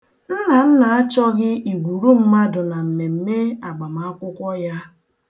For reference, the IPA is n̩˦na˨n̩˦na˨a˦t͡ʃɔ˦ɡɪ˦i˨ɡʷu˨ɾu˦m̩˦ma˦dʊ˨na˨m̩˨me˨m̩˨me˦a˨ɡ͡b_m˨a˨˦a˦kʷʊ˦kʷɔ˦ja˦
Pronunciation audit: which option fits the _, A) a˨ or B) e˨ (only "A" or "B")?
A